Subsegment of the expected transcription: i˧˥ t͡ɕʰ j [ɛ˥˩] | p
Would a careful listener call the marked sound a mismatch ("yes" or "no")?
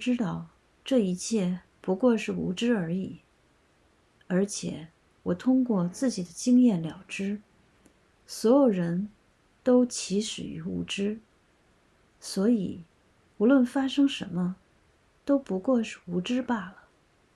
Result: no